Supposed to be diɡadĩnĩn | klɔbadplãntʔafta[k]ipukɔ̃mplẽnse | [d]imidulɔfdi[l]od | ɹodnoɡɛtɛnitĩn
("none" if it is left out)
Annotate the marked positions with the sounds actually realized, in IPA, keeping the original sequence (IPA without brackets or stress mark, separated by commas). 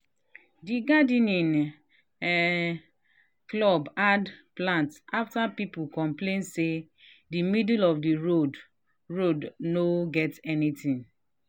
p, d, ɹ